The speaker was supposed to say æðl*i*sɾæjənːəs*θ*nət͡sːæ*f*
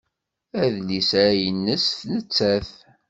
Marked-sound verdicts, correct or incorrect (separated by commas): correct, correct, incorrect